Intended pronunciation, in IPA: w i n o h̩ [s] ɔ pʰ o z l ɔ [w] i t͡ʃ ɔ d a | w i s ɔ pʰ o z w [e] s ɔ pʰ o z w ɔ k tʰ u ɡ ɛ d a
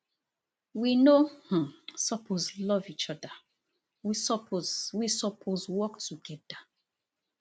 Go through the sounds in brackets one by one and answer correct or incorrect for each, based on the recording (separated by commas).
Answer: correct, incorrect, incorrect